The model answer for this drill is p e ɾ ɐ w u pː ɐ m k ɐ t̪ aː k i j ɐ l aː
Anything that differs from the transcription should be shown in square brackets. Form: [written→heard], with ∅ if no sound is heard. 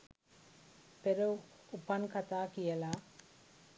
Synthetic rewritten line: p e ɾ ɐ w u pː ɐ [m→n] k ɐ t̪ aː k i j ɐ l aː